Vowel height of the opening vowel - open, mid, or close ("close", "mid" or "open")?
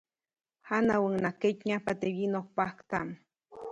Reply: open